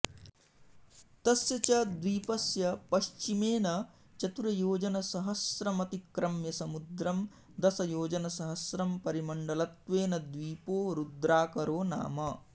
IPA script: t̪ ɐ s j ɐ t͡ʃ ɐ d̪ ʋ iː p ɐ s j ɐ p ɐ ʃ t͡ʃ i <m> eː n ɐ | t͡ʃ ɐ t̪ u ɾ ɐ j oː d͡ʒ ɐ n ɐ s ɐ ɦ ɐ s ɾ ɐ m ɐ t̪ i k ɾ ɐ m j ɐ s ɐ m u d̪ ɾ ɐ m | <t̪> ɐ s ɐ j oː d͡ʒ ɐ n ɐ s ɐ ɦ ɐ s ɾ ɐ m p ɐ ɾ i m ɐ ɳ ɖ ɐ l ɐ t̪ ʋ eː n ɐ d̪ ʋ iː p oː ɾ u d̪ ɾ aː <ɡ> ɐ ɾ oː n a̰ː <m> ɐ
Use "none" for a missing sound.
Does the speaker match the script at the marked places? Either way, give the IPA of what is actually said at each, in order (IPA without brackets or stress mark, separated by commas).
m, d̪, k, m